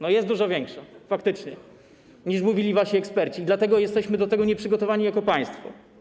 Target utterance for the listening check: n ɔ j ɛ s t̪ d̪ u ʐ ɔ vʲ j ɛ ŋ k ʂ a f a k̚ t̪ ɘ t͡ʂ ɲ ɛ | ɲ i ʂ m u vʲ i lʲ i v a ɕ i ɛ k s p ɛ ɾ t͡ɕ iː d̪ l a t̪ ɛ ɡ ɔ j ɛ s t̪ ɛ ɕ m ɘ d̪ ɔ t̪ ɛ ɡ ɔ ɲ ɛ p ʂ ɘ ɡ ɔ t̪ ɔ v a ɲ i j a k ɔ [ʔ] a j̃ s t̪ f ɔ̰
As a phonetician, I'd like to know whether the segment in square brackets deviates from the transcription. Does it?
yes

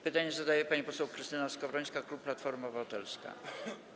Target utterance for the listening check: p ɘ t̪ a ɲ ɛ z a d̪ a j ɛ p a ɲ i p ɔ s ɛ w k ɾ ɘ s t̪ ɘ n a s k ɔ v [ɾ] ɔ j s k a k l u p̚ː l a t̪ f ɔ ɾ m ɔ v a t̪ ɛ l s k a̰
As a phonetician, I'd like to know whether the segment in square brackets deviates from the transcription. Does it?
no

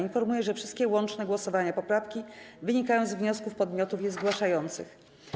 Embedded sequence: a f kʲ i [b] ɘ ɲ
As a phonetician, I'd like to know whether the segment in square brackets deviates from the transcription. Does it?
yes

